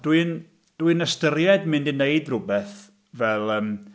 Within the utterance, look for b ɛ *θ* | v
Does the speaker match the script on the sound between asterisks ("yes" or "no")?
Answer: yes